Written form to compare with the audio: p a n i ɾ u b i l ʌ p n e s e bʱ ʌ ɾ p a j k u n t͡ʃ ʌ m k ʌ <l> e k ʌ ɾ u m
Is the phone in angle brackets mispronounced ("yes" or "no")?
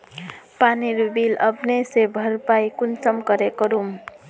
yes